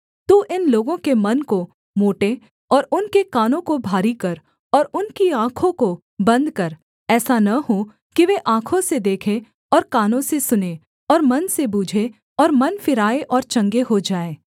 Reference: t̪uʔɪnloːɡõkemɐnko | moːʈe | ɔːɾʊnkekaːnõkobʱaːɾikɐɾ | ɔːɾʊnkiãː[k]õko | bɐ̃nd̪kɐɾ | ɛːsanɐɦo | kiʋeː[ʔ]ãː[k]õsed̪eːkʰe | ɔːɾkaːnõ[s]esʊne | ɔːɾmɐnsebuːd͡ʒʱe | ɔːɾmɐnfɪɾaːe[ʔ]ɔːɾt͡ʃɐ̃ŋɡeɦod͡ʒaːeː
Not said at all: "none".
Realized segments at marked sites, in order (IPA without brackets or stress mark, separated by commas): kʰ, ʔ, kʰ, s, ʔ